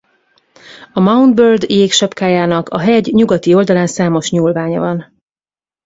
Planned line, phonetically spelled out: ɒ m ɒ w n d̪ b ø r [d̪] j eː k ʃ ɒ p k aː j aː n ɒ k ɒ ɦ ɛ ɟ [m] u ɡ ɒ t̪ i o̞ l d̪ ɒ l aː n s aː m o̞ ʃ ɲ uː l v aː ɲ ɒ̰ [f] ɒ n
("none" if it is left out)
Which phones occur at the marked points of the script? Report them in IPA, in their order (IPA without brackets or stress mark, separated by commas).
d̪, ɲ, v